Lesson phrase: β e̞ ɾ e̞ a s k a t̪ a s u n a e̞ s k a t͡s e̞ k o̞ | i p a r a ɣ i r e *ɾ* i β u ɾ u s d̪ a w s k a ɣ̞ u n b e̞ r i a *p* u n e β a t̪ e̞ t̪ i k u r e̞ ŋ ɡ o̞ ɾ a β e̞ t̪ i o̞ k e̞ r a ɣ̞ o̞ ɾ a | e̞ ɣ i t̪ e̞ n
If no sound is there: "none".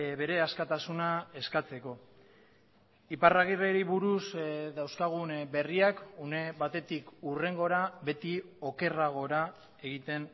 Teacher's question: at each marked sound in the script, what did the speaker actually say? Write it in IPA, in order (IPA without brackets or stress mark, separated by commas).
ɾ, k